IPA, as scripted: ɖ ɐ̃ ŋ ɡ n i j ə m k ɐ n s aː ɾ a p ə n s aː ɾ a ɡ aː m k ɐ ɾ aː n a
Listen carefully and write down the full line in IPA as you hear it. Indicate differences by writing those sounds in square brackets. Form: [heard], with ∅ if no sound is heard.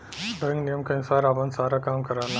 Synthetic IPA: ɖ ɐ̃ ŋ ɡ n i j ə m k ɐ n s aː ɾ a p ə n s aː ɾ a [k] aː m k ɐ ɾ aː n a